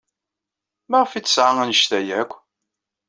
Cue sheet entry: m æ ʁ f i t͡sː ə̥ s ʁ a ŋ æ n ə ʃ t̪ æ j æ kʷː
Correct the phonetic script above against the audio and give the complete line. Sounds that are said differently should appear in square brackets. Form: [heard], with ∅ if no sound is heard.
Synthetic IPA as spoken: m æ ʁ f i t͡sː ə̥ s [ʕ] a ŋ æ n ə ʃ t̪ æ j æ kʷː